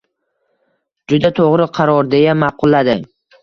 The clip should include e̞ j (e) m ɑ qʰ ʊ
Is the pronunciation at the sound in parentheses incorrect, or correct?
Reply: incorrect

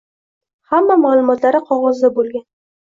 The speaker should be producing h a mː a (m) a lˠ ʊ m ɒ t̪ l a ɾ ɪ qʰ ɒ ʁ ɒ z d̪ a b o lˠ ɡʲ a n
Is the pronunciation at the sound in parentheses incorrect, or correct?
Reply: correct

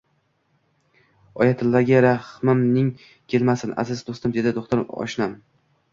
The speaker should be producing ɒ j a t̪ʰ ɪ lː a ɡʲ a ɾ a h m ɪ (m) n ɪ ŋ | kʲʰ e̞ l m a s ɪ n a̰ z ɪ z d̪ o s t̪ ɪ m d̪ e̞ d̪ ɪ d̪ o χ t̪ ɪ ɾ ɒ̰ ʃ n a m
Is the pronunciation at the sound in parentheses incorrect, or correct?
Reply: correct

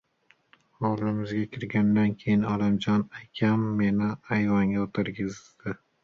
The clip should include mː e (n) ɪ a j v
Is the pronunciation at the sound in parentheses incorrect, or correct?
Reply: correct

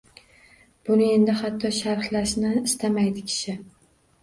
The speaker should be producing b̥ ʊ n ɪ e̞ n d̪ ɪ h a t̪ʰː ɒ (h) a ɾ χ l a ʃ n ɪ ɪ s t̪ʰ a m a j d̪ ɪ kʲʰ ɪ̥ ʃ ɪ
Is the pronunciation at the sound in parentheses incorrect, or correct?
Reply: incorrect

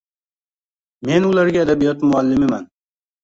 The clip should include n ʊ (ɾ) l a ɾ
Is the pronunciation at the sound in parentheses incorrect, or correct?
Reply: incorrect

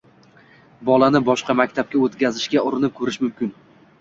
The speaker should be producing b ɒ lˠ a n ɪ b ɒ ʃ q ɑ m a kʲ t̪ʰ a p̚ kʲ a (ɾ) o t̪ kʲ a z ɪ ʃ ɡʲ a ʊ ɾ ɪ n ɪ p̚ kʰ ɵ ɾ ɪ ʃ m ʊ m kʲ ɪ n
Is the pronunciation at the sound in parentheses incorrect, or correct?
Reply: incorrect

